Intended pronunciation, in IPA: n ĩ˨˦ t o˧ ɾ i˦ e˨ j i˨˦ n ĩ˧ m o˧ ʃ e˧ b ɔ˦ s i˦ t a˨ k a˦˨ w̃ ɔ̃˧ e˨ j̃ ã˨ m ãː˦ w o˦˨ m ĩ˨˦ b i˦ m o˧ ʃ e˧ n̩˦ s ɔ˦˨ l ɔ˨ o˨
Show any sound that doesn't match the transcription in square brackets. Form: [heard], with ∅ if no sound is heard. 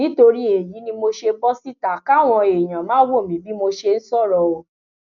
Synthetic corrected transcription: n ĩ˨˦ t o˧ ɾ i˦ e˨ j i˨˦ n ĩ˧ m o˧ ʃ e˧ b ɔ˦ s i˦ t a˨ k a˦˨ w̃ ɔ̃˧ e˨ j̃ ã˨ m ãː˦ w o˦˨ m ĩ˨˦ b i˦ m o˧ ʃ e˧ n̩˦ s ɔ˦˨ [ɾ] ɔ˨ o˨